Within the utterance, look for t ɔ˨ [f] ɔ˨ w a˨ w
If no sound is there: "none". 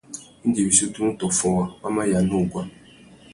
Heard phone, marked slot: f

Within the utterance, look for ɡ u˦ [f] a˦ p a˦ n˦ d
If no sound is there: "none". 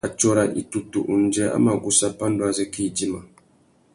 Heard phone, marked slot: s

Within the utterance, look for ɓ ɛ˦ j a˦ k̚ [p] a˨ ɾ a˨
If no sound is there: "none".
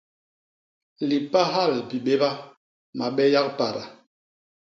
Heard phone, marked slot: p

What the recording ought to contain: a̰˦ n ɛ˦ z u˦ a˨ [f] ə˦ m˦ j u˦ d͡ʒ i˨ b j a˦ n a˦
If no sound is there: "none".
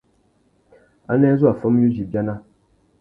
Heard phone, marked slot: f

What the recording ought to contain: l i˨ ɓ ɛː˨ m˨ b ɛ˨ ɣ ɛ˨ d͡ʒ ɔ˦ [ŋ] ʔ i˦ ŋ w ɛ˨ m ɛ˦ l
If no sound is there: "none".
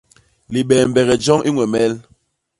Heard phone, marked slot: ŋ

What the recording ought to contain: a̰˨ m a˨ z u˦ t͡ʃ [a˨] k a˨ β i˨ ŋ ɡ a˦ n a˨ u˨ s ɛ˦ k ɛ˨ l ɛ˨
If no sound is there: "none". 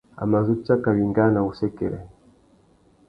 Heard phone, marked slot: a˦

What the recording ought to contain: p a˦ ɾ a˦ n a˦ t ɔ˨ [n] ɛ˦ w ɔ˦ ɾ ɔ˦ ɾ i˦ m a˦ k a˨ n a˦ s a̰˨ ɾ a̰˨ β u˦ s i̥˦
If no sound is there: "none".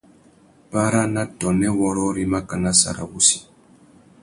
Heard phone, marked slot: n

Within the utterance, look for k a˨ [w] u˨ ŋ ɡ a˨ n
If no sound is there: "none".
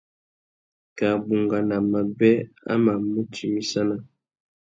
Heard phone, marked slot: b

